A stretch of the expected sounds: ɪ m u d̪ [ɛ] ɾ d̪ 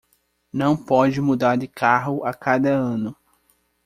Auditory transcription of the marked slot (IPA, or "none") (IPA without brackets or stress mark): a